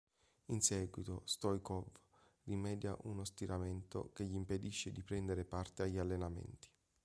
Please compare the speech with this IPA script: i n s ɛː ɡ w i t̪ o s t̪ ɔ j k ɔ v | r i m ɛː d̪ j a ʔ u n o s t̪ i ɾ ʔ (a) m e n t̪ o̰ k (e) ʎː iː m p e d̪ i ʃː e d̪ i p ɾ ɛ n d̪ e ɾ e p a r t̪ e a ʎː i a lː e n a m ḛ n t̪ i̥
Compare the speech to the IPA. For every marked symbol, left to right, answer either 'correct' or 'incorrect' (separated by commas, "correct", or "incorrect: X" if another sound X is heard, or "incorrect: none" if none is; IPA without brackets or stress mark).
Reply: correct, correct